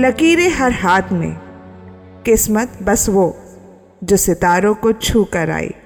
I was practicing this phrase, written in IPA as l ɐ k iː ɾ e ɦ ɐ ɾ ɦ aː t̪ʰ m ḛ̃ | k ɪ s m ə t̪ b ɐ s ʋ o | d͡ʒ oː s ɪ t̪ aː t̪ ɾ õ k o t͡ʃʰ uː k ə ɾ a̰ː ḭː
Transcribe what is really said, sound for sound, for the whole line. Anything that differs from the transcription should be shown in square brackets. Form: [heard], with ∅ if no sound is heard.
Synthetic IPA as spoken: l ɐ k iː ɾ e ɦ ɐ ɾ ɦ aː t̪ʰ m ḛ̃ | k ɪ s m ə t̪ b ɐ s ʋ o | d͡ʒ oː s ɪ t̪ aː [∅] ɾ õ k o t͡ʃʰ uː k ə ɾ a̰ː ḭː